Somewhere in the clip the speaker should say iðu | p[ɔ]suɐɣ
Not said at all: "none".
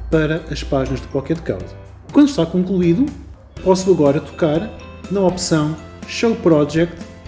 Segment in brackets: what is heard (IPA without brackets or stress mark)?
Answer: ɔ